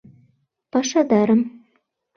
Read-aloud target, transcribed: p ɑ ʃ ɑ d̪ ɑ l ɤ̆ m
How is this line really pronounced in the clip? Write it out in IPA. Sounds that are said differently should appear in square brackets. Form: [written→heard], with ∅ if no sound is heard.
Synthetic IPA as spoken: p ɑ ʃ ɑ d̪ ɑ [l→ɾ] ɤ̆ m